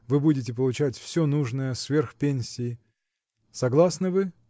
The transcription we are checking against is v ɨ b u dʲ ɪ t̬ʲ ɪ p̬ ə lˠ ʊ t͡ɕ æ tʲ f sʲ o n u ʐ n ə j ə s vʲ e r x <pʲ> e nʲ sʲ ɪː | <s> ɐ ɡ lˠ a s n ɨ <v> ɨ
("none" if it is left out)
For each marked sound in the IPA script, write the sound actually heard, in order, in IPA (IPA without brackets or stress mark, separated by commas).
pʲ, s, v